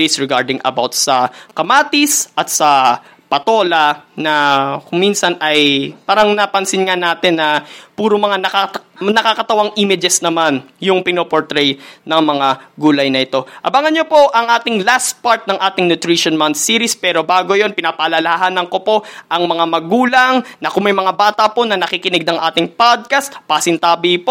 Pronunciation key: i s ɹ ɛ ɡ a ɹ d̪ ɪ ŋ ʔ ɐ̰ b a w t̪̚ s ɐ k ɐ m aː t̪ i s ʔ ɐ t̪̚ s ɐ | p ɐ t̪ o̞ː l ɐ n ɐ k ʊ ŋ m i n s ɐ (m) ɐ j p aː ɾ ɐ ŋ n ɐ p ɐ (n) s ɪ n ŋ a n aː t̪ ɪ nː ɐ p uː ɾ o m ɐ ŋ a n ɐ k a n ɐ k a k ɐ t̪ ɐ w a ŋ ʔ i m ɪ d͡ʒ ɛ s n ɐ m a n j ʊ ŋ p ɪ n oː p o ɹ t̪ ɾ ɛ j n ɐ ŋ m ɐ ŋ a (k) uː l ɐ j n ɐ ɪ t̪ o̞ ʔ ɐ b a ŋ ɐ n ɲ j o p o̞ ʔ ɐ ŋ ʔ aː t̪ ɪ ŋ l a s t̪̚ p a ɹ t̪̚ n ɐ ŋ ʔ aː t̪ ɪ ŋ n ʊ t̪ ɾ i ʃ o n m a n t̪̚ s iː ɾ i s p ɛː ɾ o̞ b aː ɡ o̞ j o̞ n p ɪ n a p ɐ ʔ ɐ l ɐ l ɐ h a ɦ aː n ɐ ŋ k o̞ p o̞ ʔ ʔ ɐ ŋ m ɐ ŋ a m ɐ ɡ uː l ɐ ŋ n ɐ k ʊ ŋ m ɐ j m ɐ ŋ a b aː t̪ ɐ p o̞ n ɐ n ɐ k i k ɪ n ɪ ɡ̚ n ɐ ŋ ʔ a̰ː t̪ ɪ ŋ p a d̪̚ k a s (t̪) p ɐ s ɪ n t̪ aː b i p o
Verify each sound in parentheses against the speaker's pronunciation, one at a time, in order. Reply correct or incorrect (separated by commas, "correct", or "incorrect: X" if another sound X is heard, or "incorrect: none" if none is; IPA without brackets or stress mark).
incorrect: n, correct, incorrect: ɡ, correct